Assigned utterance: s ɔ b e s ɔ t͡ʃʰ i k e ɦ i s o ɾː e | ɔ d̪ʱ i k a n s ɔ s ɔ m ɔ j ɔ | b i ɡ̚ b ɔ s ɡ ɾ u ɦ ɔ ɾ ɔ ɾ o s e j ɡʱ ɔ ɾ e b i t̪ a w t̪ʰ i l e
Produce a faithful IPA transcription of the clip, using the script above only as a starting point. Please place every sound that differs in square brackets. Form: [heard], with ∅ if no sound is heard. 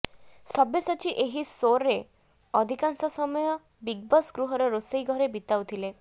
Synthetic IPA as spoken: s ɔ b e s ɔ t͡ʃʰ i [ʔ] e ɦ i s o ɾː e | ɔ d̪ʱ i k a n s ɔ s ɔ m ɔ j ɔ | b i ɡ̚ b ɔ s ɡ ɾ u ɦ ɔ ɾ ɔ ɾ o s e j ɡʱ ɔ ɾ e b i t̪ a w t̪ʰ i l e